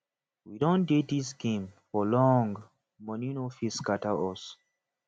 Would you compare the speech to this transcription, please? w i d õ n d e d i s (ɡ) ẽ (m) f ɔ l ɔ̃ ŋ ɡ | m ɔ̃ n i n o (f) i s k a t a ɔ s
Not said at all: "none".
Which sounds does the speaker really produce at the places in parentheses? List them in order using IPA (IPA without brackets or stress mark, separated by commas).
ɡ, m, f